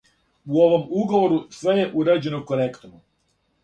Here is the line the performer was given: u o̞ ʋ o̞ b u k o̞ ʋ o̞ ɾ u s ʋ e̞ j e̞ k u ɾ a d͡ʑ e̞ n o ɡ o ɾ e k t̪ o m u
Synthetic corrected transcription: u o̞ ʋ o̞ m u ɡ o̞ ʋ o̞ ɾ u s ʋ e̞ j e̞ ʔ u ɾ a d͡ʑ e̞ n o k o ɾ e k t̪ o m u